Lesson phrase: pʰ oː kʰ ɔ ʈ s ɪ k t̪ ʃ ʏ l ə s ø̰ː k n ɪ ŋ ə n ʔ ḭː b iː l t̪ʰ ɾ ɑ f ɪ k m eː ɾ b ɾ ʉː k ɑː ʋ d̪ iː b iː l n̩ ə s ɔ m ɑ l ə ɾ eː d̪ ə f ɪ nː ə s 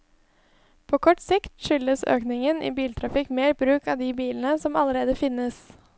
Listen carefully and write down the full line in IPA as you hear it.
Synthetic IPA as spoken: pʰ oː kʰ ɔ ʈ s ɪ k t̪ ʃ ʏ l ə s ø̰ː k n ɪ ŋ ə n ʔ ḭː b iː l t̪ʰ ɾ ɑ f ɪ k m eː ɾ b ɾ ʉː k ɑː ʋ d̪ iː b iː l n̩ ə s ɔ m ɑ l ə ɾ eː d̪ ə f ɪ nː ə s